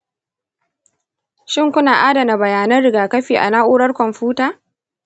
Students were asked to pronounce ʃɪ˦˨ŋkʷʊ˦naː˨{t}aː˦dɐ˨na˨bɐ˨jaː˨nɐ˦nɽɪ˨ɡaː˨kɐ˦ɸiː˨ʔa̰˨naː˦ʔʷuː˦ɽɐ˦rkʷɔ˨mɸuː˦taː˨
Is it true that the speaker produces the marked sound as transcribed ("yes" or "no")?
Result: no